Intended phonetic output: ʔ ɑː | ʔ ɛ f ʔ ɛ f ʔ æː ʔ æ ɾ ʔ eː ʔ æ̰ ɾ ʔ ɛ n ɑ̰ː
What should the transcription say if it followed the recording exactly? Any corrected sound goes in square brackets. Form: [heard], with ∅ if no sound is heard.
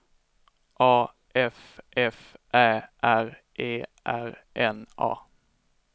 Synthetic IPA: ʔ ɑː | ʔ ɛ f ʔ ɛ f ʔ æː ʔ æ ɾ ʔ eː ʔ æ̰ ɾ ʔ ɛ n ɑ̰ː